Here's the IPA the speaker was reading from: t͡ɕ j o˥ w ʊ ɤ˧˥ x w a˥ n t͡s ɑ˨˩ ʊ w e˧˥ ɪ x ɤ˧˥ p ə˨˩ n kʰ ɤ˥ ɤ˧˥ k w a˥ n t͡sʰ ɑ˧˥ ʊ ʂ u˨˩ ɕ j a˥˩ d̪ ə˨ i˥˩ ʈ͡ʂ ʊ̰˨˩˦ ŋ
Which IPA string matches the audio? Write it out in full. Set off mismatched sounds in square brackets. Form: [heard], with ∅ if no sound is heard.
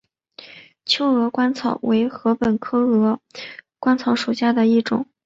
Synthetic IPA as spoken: [t͡ɕʰ] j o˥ [∅] ʊ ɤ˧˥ [k] w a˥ n [t͡sʰ] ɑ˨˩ ʊ w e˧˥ ɪ x ɤ˧˥ p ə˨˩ n kʰ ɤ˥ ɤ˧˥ k w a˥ n t͡sʰ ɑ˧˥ ʊ ʂ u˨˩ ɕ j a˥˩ d̪ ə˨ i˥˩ ʈ͡ʂ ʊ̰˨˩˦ ŋ